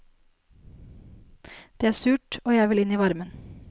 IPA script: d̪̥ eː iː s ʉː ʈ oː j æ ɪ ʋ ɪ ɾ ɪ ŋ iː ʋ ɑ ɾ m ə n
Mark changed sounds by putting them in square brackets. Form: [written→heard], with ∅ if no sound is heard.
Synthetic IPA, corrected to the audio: d̪̥ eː [iː→æː] s ʉː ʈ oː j æ ɪ ʋ ɪ [ɾ→l] ɪ [ŋ→n] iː ʋ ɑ ɾ m ə n